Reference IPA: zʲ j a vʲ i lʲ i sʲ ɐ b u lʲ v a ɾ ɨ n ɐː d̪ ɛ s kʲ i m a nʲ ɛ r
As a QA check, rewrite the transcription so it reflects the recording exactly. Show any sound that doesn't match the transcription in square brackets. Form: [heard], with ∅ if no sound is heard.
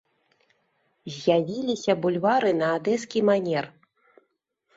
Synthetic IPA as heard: zʲ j a vʲ i lʲ i sʲ ɐ b u lʲ v a ɾ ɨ n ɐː d̪ ɛ s kʲ i m a nʲ ɛ r